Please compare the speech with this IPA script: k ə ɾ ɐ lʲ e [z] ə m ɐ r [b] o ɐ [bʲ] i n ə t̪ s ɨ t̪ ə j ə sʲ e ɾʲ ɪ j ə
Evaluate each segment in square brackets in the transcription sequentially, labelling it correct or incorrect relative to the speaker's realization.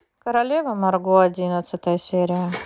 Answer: incorrect: v, incorrect: ɡ, incorrect: dʲ

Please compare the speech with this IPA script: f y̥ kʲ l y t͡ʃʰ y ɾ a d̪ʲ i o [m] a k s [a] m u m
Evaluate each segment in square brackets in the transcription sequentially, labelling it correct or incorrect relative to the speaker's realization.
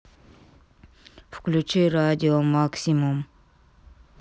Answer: correct, incorrect: i

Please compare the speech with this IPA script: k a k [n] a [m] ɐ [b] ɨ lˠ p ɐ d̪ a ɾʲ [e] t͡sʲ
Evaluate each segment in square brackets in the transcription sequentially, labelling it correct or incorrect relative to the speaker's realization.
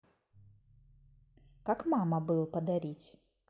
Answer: incorrect: m, correct, correct, incorrect: i

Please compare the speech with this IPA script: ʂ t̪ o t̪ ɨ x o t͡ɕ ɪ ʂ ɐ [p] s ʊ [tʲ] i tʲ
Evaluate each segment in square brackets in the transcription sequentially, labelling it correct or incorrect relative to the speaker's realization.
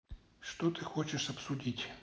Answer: correct, incorrect: dʲ

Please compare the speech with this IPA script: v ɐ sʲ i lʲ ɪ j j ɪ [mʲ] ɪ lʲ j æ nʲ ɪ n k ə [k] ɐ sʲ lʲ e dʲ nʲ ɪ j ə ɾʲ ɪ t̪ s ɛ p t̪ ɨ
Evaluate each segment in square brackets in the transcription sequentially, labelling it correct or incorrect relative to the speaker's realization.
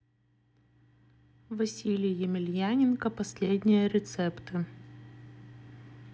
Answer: correct, incorrect: p

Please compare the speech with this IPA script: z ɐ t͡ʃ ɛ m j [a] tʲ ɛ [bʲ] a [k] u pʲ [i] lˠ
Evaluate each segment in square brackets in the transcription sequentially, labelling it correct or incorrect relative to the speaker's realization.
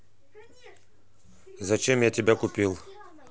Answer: correct, correct, correct, correct

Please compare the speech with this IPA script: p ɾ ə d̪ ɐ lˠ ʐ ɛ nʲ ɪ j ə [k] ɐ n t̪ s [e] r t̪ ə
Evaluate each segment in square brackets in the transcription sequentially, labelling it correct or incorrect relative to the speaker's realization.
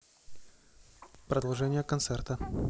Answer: correct, incorrect: ɛ

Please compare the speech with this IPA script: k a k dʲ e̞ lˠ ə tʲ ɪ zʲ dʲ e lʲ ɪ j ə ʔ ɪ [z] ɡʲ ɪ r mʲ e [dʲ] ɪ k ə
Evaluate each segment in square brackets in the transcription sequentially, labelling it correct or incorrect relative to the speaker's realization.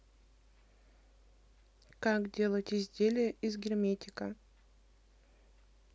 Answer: correct, incorrect: tʲ

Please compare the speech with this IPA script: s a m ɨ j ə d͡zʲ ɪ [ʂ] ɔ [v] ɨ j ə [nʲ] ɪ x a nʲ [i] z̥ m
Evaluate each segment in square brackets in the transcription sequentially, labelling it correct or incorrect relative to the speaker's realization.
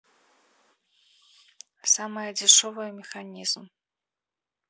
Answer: correct, correct, incorrect: mʲ, correct

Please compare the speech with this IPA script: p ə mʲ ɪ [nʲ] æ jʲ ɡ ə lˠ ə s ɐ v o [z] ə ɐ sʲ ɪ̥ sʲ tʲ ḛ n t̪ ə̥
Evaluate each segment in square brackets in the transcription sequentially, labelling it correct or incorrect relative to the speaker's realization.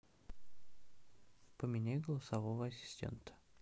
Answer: correct, incorrect: v

